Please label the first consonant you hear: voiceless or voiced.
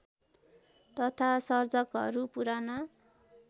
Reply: voiceless